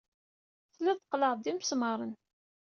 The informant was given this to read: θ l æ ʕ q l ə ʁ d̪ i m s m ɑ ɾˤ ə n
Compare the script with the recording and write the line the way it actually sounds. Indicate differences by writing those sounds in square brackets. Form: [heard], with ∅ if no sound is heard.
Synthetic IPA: θ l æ [ð] q l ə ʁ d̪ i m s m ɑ ɾˤ ə n